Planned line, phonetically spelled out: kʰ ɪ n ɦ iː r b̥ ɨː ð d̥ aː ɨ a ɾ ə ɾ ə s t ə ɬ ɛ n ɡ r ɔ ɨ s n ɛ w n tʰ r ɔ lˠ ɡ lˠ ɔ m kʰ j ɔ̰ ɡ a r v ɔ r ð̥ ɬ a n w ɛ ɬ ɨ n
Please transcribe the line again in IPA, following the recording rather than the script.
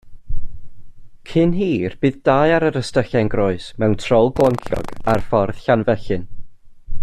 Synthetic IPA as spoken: kʰ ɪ n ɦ iː r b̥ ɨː ð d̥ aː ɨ a ɾ ə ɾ ə s t ə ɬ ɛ n ɡ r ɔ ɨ s m ɛ w n tʰ r ɔ lˠ ɡ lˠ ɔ ŋ kʰ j ɔ̰ ɡ a r f ɔ r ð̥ ɬ a n v ɛ ɬ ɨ n